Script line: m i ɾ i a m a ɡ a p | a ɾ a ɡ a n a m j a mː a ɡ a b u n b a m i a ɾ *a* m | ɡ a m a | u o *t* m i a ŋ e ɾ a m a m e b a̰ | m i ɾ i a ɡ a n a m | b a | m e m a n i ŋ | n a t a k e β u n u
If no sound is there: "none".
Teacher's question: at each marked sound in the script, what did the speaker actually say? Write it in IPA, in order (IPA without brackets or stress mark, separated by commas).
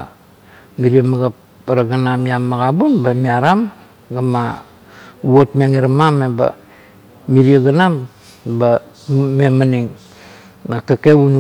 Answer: a, t